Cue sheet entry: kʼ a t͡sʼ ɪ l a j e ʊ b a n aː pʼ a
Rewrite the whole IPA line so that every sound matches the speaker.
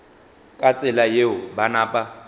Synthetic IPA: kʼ a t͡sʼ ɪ l a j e ʊ b a n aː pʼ a